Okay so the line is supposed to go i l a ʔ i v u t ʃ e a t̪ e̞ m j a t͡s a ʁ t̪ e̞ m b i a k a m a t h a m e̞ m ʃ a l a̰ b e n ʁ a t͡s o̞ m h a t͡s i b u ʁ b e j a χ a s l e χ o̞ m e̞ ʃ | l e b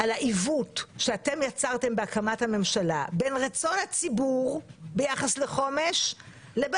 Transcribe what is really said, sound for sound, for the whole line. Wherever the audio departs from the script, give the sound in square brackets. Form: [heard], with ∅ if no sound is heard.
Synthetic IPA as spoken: [a] l a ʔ i v u t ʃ e a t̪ e̞ m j a t͡s a ʁ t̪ e̞ m b [e] a k a m a t h a m e̞ m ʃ a l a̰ b e n ʁ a t͡s o̞ [n] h a t͡s i b u ʁ b e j a χ a s l e χ o̞ m e̞ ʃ | l e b